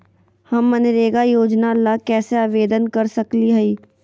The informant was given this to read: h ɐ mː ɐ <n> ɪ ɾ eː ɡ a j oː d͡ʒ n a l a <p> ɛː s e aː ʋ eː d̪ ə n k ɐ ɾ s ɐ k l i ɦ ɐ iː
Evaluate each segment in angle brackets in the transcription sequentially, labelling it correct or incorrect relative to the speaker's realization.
correct, incorrect: k

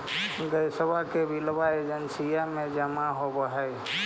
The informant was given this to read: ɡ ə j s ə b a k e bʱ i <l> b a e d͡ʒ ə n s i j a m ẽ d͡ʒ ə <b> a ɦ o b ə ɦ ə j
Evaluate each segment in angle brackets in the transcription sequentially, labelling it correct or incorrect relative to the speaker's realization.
correct, incorrect: m

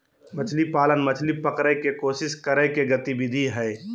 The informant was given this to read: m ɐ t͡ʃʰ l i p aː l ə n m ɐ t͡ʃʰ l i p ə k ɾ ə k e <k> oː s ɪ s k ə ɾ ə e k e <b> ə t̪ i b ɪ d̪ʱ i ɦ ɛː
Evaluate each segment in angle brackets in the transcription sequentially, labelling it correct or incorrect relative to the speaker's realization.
correct, incorrect: ɡ

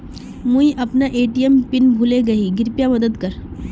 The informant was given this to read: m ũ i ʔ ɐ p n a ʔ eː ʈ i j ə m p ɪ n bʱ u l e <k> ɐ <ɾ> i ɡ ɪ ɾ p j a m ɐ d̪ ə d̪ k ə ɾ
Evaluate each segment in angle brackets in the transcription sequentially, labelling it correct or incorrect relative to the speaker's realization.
incorrect: ɡ, incorrect: none

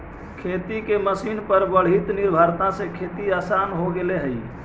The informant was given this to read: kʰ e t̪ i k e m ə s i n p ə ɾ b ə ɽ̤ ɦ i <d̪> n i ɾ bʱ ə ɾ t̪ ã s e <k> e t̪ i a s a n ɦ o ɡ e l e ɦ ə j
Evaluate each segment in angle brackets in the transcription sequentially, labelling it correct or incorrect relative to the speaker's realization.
incorrect: t̪, incorrect: kʰ

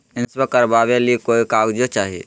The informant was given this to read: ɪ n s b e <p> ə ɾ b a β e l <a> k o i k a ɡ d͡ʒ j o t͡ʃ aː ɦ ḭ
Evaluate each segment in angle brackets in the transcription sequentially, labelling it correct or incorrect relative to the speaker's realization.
incorrect: k, incorrect: i

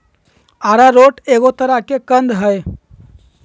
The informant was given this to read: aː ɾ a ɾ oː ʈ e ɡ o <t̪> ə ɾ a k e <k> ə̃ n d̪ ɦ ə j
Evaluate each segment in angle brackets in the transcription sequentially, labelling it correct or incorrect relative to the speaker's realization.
correct, correct

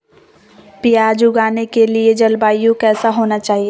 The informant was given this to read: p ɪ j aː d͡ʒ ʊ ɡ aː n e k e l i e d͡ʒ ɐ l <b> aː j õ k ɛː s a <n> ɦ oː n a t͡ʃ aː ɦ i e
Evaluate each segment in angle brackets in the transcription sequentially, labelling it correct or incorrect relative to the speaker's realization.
correct, incorrect: none

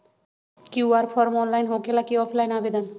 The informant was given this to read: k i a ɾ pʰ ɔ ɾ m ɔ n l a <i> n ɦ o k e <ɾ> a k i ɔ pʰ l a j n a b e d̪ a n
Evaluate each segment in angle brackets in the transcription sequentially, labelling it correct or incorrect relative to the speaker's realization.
incorrect: j, incorrect: l

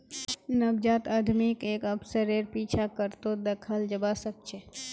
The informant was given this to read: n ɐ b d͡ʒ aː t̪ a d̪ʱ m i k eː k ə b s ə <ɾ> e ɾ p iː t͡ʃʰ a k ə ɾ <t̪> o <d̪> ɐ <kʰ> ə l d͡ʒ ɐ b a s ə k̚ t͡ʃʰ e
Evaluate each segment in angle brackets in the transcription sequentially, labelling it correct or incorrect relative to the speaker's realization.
correct, correct, correct, correct

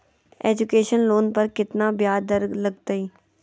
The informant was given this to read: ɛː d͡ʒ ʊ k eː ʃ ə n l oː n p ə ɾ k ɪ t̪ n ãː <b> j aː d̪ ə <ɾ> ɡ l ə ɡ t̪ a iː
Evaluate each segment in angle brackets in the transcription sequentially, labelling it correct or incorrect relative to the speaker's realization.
correct, correct

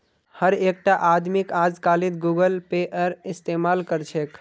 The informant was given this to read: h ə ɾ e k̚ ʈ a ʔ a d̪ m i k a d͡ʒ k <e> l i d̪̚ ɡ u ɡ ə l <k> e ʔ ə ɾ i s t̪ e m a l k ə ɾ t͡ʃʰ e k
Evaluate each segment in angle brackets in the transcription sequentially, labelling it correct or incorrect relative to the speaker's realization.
incorrect: a, incorrect: p

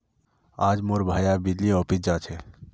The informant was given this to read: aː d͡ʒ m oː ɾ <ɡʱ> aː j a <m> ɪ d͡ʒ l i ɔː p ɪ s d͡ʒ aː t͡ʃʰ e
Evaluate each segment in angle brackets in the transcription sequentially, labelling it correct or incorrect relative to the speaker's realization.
incorrect: bʱ, incorrect: b

